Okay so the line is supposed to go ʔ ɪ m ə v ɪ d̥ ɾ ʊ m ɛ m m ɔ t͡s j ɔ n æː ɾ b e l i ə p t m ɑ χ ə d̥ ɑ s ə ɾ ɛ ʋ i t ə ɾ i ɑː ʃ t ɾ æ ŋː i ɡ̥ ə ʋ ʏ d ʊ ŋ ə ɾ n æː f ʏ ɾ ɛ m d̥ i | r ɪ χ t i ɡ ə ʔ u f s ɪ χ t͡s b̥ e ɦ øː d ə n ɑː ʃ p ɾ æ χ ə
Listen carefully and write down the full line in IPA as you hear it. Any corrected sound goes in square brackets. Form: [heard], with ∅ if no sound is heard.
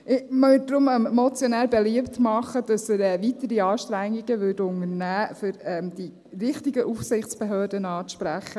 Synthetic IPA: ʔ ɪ m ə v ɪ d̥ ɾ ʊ m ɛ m m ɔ t͡s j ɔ n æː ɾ b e l i ə p t m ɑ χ ə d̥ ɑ s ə ɾ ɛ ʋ i t ə ɾ i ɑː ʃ t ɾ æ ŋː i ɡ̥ ə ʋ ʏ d ʊ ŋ ə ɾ n æː f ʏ ɾ ɛ m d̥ i | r ɪ χ t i ɡ ə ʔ u f s ɪ χ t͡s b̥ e ɦ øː d ə n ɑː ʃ p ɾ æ χ ə